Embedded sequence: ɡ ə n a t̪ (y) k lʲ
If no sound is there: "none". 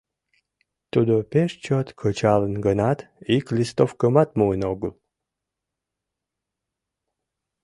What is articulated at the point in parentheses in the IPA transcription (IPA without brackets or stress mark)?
i